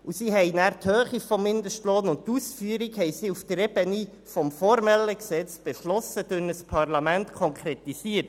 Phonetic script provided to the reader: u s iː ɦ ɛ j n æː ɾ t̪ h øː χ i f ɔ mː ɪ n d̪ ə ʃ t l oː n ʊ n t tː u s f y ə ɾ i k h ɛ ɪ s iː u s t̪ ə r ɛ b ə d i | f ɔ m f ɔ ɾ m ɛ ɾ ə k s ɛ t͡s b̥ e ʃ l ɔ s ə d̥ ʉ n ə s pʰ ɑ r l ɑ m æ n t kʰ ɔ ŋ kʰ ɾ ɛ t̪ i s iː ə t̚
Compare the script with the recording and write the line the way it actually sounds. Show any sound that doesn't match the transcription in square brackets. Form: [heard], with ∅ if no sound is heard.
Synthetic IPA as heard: u s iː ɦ ɛ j n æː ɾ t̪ h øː χ i f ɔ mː ɪ n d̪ ə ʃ t l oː n ʊ n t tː u s f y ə ɾ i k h ɛ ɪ s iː u [f] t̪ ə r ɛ b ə [n] i | f ɔ m f ɔ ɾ m ɛ [l] ə k s ɛ t͡s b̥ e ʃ l ɔ s ə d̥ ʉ n ə s pʰ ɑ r l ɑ m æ n t kʰ ɔ ŋ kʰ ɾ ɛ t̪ i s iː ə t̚

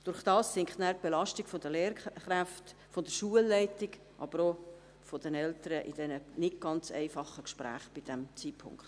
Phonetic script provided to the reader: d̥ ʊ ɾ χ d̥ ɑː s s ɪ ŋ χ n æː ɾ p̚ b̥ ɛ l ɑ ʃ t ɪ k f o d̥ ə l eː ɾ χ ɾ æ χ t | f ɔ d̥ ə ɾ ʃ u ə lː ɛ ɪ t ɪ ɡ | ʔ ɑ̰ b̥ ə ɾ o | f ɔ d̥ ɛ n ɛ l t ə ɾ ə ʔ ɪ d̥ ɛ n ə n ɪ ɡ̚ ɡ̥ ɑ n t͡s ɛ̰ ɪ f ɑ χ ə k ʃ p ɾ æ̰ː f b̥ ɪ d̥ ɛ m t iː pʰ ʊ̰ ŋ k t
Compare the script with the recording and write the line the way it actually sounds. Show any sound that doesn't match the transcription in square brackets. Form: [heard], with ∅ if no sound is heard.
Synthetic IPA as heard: d̥ ʊ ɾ χ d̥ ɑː s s ɪ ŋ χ n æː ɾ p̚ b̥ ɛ l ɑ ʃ t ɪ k f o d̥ ə l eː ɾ χ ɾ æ [f] t | f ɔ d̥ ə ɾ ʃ u ə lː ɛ ɪ t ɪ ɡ | ʔ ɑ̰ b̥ ə ɾ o | f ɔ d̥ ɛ n ɛ l t ə ɾ ə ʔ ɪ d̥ ɛ n ə n ɪ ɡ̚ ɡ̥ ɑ n t͡s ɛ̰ ɪ f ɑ χ ə k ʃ p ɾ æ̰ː [χ] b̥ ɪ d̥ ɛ m [t͡s] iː pʰ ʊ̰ ŋ k t

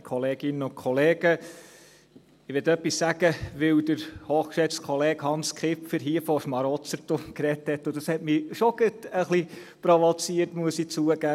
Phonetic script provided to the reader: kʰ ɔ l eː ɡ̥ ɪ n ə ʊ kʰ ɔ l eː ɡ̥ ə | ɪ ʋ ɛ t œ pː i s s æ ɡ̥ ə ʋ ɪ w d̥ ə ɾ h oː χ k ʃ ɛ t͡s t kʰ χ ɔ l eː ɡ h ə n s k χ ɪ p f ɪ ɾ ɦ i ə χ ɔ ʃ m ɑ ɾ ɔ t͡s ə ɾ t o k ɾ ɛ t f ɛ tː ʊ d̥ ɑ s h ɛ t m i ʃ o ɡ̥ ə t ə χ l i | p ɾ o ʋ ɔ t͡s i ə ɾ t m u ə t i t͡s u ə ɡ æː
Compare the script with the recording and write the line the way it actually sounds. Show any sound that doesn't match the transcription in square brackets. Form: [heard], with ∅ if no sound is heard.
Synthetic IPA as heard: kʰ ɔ l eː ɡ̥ ɪ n ə ʊ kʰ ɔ l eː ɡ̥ ə | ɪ ʋ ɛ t œ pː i s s æ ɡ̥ ə ʋ ɪ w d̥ ə ɾ h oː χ k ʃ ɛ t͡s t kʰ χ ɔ l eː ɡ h [ɑ] n s k χ ɪ p f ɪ ɾ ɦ i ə [f] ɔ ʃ m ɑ ɾ ɔ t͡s ə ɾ t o k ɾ ɛ t [h] ɛ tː ʊ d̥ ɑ s h ɛ t m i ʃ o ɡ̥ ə t ə χ l i | p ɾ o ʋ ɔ t͡s i ə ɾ t m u ə [s] i t͡s u ə ɡ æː

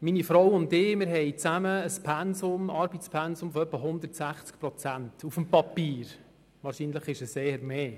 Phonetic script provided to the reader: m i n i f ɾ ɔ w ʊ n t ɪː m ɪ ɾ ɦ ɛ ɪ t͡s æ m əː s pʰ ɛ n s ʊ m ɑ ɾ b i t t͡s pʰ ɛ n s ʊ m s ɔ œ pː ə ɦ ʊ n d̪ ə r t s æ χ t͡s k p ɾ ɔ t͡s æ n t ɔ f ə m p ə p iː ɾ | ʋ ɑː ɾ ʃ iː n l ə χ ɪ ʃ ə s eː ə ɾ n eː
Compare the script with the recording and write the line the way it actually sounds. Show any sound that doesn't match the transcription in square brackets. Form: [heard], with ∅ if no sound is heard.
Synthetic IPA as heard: m i n i f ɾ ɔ w ʊ n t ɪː m ɪ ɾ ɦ ɛ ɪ t͡s æ m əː s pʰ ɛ n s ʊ m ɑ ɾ b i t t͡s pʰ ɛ n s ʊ m [f] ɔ œ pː ə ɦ ʊ n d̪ ə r t s æ χ t͡s k p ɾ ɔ t͡s æ n t [u] f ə m p [ɑ] p iː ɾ | ʋ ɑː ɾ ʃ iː n l ə χ ɪ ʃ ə s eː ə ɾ [m] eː

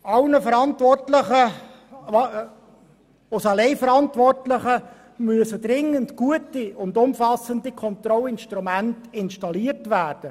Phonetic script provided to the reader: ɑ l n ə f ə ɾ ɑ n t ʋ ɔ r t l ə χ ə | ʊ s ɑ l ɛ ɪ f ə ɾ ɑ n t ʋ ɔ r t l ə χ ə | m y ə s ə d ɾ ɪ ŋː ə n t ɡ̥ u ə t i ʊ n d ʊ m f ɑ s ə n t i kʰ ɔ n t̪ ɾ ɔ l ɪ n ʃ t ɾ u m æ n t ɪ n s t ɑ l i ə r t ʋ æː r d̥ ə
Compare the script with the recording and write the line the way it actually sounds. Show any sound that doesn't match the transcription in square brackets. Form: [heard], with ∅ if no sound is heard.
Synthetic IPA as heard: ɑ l n ə f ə ɾ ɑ n t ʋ ɔ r t l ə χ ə | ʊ s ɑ l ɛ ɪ f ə ɾ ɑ n t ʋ ɔ r t l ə χ ə | m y ə s ə d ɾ ɪ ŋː ə n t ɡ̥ u ə t i ʊ n d ʊ m f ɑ s ə n [d] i kʰ ɔ n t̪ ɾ ɔ l ɪ n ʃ t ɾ u m æ n t ɪ n [ʃ] t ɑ l i ə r t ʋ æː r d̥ ə

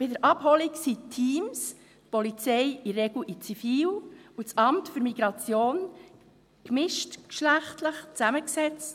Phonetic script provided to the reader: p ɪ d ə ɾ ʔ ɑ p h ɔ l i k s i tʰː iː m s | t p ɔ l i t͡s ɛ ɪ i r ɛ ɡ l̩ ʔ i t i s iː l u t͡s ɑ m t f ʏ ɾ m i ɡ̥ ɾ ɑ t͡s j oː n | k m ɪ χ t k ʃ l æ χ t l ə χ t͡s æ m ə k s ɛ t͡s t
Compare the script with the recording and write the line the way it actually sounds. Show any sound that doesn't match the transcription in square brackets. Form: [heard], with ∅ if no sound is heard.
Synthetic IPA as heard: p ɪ d ə ɾ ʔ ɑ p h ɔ l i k s i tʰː iː m s | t p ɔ l i t͡s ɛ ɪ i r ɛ ɡ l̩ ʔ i [t͡s] i [f] iː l u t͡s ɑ m t f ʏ ɾ m i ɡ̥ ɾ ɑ t͡s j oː n | k m ɪ [ʃ] t k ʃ l æ χ t l ə χ t͡s æ m ə k s ɛ t͡s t

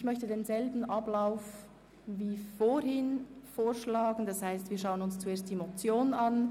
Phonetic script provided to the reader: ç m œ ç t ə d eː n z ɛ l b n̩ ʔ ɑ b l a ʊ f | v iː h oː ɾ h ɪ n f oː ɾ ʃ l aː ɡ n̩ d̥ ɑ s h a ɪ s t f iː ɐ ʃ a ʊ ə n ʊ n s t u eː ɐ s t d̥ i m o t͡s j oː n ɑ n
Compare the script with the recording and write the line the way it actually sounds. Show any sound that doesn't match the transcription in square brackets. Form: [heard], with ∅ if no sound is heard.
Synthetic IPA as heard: ç m œ ç t ə d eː n z ɛ l b n̩ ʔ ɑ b l a ʊ f | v iː [f] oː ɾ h ɪ n f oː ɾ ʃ l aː ɡ n̩ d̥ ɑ s h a ɪ s t [v] iː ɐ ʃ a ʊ ə n ʊ n s [t͡s] u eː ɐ s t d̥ i m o t͡s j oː n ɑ n

